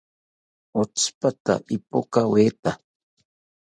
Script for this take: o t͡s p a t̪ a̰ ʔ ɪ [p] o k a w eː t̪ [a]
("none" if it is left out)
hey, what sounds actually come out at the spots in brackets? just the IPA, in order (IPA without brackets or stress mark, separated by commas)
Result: p, a